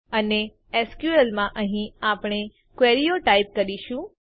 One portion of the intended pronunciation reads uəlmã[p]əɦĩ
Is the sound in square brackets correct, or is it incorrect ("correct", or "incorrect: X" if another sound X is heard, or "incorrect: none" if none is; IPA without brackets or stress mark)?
incorrect: ʔ